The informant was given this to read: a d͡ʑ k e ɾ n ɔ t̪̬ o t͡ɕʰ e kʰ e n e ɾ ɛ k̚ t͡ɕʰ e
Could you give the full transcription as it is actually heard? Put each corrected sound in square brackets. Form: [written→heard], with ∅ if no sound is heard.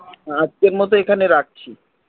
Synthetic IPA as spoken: a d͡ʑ k e ɾ [n→m] ɔ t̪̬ o [t͡ɕʰ→∅] e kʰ [e→a] n e ɾ [ɛ→a] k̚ t͡ɕʰ [e→i]